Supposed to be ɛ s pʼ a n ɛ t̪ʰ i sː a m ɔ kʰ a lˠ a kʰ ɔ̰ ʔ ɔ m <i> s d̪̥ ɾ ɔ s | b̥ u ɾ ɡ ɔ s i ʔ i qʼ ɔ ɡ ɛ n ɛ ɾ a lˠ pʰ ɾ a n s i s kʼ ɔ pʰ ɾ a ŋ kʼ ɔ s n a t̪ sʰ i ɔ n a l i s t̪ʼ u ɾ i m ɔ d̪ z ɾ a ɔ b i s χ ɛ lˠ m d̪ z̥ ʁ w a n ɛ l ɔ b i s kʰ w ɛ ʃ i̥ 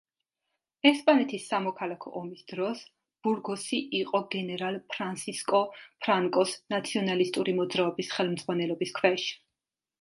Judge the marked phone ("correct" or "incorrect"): correct